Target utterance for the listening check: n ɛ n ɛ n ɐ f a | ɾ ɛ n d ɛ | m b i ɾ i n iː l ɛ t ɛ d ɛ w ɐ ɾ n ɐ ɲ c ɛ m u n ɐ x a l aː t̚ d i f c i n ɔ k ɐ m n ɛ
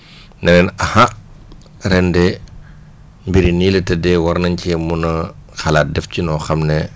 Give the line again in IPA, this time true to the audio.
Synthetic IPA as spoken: n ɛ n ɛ n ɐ h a | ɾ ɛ n d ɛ | m b i ɾ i n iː l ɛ t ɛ d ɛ w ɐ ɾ n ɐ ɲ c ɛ m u n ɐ x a l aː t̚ d ɛ f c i n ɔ x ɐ m n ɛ

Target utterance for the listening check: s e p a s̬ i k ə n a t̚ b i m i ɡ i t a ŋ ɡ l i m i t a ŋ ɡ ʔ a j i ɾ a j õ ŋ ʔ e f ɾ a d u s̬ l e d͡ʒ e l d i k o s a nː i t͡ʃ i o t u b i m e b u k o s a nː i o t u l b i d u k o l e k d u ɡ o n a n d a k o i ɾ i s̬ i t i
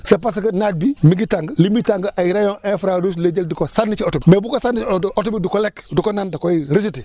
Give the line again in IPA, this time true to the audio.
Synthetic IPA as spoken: s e p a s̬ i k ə n a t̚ b i m i ɡ i t a ŋ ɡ l i m i t a ŋ ɡ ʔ a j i ɾ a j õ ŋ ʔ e f ɾ a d u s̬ l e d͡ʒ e l d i k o s a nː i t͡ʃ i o t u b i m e b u k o s a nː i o t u b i d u k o l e k d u k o n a n d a k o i ɾ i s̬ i t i

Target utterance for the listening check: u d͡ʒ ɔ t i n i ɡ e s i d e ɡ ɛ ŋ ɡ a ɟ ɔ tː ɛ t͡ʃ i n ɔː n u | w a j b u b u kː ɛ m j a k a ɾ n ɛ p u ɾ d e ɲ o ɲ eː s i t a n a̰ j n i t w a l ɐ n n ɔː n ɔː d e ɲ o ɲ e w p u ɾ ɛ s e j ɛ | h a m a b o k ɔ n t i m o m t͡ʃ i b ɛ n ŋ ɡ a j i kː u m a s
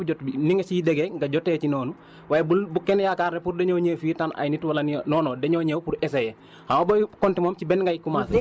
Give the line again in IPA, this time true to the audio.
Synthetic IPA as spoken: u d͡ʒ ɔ t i n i ŋ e s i d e ɡ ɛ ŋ ɡ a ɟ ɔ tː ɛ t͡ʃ i n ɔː n u | w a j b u b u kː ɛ n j a k a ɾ n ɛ p u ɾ d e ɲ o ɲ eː f i t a n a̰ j n i t w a l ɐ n n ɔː n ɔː d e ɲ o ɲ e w p u ɾ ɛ s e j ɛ | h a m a b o k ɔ n t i m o m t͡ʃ i b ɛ n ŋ ɡ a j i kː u m a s

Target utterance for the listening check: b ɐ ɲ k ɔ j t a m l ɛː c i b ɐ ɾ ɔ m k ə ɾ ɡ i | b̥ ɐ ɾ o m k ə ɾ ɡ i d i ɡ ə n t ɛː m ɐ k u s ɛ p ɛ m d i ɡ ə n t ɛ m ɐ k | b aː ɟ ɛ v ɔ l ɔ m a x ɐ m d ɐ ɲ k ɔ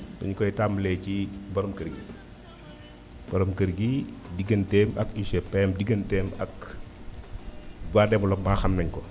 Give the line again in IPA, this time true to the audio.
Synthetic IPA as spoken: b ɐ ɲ k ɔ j t a m l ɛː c i b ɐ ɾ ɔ m k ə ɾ ɡ i | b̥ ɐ ɾ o m k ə ɾ ɡ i d i ɡ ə n t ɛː m ɐ k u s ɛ p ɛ m d i ɡ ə n t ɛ m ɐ k | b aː d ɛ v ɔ l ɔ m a x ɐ m n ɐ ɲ k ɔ

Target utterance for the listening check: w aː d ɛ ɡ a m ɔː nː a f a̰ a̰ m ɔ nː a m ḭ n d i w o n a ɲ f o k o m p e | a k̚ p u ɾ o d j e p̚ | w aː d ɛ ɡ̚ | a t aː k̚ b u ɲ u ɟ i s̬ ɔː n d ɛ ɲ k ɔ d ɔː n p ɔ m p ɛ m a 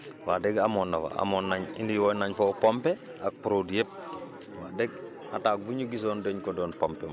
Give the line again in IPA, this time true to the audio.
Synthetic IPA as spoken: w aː d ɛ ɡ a m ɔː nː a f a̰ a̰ m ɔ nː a ɲ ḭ n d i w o n a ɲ f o p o m p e | a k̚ p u ɾ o d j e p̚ | w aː d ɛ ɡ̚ | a t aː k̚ b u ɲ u ɡ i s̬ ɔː n d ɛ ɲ k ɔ d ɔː n p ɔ m p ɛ m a

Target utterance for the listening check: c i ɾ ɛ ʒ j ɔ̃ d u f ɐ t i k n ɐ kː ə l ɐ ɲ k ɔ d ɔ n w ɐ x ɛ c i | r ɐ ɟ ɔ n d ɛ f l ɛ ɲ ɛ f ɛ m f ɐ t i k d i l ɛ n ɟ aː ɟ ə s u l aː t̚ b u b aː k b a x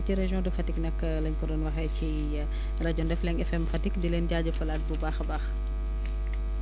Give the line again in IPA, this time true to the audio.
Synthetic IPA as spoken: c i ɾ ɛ ʒ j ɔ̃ d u f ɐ t i k n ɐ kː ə l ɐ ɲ k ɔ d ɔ n w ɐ x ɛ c i | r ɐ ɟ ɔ n d ɛ f l ɛ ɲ ɛ f ɛ m f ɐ t i k d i l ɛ n ɟ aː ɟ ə f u l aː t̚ b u b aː x b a x

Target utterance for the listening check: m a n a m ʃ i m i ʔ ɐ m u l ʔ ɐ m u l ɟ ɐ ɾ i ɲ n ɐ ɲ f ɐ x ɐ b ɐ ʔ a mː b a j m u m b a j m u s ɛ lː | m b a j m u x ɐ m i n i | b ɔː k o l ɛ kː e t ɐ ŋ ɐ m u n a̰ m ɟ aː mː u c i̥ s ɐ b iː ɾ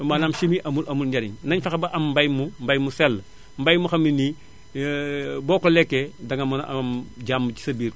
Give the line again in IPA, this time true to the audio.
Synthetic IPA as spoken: m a n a m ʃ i m i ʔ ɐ m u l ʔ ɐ m u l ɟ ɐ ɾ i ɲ n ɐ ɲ f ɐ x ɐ b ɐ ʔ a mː b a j m u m b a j m u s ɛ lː | m b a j m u x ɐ m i n i | b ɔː k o l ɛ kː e d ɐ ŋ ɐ m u n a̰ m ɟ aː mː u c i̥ s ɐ b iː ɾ

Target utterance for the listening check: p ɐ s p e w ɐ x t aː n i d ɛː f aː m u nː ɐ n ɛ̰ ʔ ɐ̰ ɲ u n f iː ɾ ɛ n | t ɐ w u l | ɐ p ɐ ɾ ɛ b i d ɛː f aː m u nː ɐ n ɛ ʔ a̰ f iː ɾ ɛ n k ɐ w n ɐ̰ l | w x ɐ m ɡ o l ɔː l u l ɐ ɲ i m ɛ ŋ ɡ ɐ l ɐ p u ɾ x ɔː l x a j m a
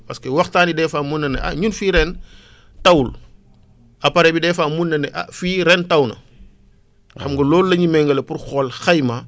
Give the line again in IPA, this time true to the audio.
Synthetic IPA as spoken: p ɐ s k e w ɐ x t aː n i d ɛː f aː m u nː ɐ n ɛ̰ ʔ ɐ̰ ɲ u n f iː ɾ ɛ n | t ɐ w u l | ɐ p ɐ ɾ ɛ b i d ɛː f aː m u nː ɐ n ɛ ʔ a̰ f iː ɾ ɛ n t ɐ w n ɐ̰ | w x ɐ m ɡ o l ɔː l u l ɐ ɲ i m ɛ ŋ ɡ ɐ l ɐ p u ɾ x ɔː l x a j m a

